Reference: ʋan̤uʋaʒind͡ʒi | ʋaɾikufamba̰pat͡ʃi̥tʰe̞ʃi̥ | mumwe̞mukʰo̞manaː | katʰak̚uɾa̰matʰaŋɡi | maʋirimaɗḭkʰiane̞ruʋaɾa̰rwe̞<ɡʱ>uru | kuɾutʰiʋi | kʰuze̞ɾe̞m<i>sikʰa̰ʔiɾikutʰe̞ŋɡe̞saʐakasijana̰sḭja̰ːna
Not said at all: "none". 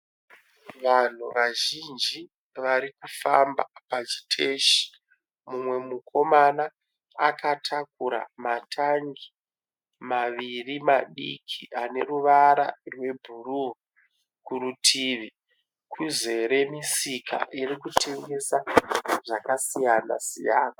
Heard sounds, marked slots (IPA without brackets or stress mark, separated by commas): bʱ, i